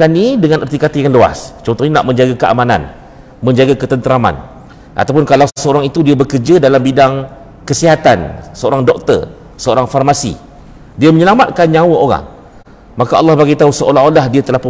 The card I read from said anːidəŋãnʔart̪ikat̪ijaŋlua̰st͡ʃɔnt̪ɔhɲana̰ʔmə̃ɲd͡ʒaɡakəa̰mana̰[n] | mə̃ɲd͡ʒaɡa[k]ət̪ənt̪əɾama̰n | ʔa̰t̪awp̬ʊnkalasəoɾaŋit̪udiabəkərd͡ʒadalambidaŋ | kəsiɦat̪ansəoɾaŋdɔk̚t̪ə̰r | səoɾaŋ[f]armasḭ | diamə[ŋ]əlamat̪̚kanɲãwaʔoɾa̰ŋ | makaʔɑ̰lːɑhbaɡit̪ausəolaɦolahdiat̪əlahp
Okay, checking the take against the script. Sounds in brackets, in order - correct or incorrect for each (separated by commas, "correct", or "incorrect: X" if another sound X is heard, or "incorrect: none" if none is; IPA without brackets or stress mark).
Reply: correct, correct, correct, incorrect: ɲ